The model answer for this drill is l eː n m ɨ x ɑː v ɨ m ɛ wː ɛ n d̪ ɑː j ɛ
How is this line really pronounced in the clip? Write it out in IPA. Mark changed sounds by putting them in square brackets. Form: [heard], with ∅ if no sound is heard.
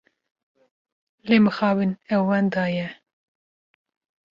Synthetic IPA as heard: l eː [∅] m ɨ x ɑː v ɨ [n] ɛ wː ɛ n d̪ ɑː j ɛ